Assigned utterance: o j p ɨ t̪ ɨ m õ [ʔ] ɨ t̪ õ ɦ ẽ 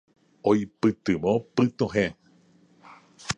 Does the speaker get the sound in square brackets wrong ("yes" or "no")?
yes